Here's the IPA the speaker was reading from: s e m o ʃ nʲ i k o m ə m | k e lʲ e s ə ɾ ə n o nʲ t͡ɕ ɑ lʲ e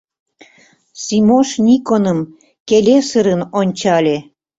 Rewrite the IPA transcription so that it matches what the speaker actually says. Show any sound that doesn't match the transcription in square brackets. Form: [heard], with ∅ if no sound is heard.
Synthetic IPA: s [i] m o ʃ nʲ i k o [n] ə m | k e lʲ e s ə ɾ ə n o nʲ t͡ɕ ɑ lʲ e